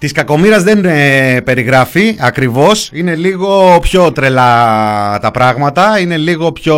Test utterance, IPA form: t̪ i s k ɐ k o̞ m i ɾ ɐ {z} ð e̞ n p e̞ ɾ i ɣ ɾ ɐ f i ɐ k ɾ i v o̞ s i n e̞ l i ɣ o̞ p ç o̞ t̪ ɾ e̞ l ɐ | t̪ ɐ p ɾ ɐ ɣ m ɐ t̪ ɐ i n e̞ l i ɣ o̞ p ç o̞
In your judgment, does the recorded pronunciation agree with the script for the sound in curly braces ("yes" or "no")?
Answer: yes